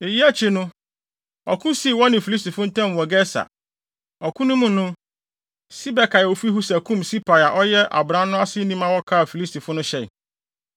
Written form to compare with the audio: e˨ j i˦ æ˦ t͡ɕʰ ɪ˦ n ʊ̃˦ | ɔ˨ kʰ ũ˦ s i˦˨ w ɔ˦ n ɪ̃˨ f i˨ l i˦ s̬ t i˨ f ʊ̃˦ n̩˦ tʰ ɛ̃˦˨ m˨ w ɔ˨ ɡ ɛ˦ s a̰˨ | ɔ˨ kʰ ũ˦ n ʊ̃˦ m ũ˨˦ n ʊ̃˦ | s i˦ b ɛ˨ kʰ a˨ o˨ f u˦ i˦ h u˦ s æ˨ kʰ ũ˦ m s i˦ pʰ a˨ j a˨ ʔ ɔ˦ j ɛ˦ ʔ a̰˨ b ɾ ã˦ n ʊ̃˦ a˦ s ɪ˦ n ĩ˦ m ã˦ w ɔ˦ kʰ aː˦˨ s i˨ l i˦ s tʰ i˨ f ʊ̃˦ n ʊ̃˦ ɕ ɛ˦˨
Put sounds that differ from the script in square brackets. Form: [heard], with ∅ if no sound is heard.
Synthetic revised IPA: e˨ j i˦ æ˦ t͡ɕʰ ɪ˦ n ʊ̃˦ | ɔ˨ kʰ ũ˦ s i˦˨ w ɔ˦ n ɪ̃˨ f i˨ l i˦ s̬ t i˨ f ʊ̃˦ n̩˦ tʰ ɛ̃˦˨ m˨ w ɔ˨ ɡ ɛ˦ s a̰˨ | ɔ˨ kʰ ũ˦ n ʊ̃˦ m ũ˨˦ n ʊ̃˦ | s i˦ b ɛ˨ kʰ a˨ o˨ f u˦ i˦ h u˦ s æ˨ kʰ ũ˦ m s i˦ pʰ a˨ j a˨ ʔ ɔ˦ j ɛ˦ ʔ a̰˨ b ɾ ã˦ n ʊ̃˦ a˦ s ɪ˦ n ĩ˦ m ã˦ w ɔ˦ kʰ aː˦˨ [f] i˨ l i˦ s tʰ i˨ f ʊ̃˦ n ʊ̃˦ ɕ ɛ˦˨